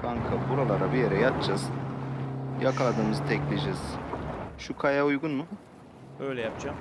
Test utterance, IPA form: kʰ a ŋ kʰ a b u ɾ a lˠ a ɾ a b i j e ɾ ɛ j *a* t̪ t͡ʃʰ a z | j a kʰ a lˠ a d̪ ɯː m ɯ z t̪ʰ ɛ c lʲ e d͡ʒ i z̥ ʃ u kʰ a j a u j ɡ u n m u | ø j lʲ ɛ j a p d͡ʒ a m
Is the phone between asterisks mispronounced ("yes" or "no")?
no